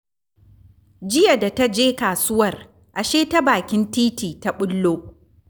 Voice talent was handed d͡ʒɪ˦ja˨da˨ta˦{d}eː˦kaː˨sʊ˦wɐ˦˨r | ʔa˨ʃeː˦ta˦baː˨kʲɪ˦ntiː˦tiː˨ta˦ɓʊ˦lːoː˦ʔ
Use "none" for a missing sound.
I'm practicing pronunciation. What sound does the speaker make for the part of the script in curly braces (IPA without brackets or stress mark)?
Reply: d͡ʒ